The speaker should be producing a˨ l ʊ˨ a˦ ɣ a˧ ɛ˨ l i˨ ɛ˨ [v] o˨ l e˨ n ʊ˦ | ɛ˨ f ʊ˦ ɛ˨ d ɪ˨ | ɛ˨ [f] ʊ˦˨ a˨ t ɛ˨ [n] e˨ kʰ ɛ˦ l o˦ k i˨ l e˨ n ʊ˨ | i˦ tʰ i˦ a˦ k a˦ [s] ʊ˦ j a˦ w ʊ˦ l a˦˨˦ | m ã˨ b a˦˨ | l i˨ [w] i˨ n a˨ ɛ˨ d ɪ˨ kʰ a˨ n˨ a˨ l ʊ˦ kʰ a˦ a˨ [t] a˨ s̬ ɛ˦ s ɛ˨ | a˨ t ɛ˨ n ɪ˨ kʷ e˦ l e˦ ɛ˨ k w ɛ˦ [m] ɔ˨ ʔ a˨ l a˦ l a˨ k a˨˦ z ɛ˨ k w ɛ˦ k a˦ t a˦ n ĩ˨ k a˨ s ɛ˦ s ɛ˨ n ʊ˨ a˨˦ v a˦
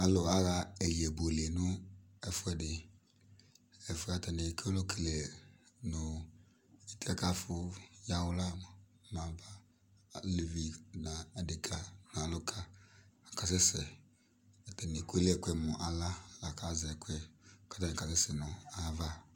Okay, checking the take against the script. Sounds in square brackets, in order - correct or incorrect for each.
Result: incorrect: b, correct, correct, incorrect: f, incorrect: v, incorrect: k, correct

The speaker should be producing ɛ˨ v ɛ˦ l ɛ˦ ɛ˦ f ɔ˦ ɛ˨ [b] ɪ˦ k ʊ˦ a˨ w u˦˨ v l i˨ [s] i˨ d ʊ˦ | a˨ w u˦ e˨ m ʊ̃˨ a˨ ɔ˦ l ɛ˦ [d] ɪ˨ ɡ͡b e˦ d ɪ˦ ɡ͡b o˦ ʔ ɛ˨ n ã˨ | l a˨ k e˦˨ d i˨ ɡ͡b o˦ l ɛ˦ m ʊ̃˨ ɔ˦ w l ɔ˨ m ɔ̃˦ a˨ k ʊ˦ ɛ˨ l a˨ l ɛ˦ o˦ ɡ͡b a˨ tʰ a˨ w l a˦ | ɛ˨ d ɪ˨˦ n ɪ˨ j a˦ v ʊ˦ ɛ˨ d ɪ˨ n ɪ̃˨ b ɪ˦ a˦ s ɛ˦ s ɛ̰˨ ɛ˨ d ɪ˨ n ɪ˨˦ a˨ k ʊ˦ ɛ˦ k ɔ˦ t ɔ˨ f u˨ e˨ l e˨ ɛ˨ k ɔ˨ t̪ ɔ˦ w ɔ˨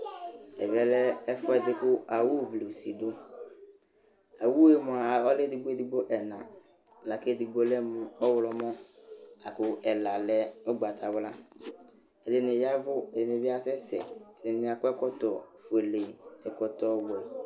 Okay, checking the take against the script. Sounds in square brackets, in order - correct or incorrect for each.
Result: incorrect: d, correct, correct

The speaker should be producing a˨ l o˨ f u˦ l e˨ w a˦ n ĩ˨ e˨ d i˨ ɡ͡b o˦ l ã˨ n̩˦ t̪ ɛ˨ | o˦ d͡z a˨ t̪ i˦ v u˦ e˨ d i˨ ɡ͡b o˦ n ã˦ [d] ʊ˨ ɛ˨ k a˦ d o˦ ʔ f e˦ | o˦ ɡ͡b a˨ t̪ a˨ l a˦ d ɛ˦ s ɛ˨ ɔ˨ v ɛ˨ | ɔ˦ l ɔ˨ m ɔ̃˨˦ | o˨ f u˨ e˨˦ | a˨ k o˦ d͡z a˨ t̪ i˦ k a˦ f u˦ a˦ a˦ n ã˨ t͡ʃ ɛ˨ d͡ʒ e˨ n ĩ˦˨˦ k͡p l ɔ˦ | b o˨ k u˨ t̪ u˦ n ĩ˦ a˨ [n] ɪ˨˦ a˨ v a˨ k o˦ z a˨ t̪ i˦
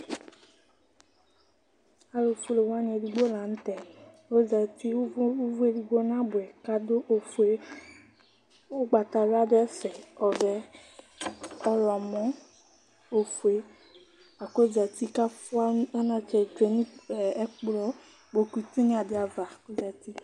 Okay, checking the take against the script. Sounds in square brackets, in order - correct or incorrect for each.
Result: incorrect: b, incorrect: d

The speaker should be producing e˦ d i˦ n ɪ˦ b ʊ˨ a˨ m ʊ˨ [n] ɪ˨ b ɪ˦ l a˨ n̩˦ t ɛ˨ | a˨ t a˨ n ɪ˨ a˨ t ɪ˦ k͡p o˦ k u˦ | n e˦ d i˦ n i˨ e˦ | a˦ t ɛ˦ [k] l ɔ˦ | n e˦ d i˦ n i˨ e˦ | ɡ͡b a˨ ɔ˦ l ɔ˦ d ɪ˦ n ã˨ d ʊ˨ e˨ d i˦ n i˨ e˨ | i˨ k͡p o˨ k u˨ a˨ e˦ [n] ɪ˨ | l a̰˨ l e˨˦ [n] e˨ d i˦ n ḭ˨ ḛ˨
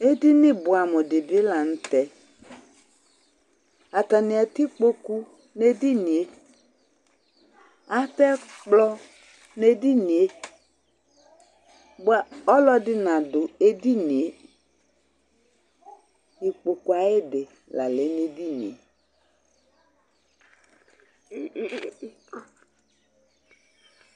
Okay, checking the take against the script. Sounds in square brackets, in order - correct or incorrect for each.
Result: incorrect: d, incorrect: k͡p, incorrect: d, correct

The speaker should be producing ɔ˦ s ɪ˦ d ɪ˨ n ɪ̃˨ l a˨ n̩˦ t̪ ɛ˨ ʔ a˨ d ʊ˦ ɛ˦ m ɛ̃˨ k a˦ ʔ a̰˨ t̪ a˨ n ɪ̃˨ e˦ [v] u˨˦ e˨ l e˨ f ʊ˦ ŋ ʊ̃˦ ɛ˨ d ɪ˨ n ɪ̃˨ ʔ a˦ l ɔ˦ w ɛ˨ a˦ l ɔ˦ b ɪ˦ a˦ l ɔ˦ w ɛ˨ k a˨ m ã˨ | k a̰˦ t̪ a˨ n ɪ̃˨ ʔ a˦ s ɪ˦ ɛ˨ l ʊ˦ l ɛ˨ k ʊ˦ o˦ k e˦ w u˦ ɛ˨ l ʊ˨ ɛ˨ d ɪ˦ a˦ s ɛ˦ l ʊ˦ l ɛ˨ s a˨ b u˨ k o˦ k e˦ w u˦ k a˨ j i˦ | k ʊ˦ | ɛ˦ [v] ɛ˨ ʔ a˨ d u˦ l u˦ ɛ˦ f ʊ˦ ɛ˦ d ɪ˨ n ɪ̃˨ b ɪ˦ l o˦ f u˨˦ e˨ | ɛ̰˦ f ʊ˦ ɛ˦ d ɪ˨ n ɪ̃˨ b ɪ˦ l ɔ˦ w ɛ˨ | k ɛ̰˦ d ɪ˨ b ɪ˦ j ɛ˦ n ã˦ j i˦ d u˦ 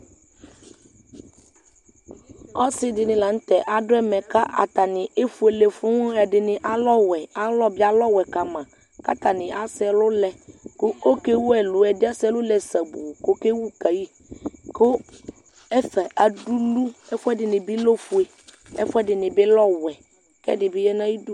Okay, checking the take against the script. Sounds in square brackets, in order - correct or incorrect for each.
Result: incorrect: f, incorrect: f

